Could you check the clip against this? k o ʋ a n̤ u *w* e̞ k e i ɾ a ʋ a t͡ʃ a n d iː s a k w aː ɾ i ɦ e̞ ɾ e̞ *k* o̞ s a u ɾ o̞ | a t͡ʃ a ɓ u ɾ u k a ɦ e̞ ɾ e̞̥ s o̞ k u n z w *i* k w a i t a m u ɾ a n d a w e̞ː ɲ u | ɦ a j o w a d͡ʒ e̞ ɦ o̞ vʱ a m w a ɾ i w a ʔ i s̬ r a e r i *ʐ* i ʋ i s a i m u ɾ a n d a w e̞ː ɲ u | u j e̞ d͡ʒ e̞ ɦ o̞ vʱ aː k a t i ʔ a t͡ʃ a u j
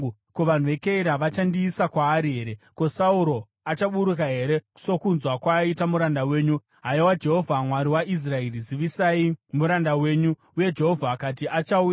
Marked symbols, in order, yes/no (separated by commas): no, yes, no, no